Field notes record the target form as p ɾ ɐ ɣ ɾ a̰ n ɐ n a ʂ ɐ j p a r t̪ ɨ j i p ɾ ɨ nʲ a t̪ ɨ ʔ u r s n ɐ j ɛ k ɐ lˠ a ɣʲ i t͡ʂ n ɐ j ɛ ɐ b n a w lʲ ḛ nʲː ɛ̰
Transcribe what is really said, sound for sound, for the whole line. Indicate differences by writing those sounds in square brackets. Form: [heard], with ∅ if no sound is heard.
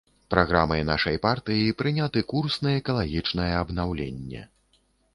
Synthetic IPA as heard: p ɾ [a] ɣ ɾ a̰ [m] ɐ n a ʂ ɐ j p a r t̪ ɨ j i p ɾ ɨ nʲ a t̪ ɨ [k] u r s n ɐ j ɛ k ɐ lˠ a ɣʲ i t͡ʂ n ɐ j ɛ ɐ b n a w lʲ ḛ nʲː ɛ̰